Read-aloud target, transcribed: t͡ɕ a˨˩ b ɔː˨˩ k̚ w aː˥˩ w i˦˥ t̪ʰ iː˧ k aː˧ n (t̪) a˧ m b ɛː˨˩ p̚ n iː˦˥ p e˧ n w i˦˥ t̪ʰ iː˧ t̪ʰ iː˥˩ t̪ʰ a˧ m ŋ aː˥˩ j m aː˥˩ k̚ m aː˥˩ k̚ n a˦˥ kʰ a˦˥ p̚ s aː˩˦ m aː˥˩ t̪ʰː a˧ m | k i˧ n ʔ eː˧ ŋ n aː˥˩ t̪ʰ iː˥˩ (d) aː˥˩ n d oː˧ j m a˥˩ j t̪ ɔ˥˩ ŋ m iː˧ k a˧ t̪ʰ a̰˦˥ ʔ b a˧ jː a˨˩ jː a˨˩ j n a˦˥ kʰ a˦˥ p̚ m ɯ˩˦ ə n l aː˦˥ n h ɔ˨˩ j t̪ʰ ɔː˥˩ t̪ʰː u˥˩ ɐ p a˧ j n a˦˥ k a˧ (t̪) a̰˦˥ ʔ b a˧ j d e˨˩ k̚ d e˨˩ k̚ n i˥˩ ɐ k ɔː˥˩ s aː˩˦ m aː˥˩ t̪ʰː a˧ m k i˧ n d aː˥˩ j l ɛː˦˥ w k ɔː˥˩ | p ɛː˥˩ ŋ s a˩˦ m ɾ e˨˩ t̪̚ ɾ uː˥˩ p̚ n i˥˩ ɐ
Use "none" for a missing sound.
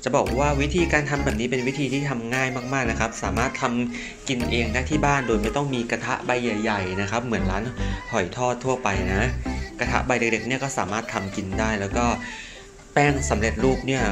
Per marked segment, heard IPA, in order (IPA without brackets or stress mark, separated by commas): t̪ʰ, b, t̪ʰ